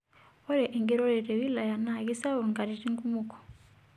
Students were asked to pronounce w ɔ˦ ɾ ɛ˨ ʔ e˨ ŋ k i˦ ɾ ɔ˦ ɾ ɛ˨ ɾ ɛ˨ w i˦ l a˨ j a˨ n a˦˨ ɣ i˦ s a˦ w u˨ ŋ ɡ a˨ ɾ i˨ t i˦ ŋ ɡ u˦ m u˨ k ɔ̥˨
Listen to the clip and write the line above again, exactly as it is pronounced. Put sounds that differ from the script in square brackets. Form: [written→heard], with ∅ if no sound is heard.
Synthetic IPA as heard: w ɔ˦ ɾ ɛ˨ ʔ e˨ ŋ [k→ɡ] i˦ ɾ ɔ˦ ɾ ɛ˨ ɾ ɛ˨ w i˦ l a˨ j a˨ n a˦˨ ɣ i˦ s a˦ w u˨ ŋ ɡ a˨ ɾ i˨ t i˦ ŋ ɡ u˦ m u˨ k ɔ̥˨